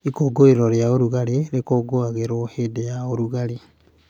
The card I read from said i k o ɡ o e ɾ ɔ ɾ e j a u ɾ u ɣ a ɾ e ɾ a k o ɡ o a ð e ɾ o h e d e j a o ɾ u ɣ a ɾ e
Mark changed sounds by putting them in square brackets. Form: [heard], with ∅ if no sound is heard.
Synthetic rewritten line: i k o ɡ o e ɾ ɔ ɾ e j a [o] ɾ u ɣ a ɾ e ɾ [e] k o ɡ o a [ɣ] e ɾ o h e d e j a o ɾ u ɣ a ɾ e